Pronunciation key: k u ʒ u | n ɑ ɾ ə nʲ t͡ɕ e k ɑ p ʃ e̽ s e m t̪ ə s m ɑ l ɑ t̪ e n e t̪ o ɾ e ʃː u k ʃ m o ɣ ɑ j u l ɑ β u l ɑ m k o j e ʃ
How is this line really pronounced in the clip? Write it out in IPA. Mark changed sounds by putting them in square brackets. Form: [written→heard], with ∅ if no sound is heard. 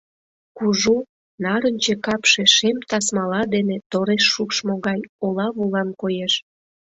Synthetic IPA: k u ʒ u | n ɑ ɾ ə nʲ t͡ɕ e k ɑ p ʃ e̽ [s→ʃ] e m t̪ [ə→ɑ] s m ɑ l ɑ [t̪→d̪] e n e t̪ o ɾ e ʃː u k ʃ m o ɣ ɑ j [u→o] l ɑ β u l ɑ [m→n] k o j e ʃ